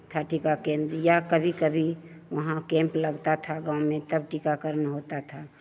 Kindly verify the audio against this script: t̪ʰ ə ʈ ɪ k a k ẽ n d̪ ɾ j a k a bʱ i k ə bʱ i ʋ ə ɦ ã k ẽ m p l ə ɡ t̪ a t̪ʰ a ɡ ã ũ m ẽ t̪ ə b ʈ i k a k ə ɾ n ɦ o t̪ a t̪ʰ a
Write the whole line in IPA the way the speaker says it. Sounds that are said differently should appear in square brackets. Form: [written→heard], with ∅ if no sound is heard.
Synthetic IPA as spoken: t̪ʰ [ə→a] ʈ [ɪ→i] k a k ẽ n d̪ ɾ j a k [a→ə] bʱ i k ə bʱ i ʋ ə ɦ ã k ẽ m p l ə ɡ t̪ a t̪ʰ a ɡ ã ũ m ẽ t̪ ə b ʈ i k a k ə ɾ n ɦ o t̪ a t̪ʰ a